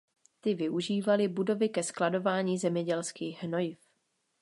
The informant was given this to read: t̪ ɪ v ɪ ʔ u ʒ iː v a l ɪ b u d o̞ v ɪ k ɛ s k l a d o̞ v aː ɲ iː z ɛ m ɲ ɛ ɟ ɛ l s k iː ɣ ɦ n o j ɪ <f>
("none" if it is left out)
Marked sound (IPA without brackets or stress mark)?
f